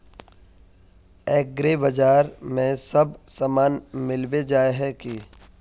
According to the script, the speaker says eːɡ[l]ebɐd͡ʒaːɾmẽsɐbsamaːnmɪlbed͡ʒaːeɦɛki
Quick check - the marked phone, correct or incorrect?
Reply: incorrect